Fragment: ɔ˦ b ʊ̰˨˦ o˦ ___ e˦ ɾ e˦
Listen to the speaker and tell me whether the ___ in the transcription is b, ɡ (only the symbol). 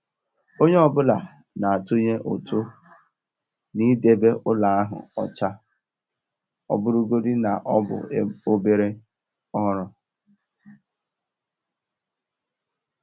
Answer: b